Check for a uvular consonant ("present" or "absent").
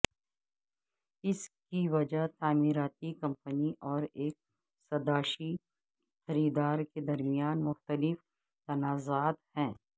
absent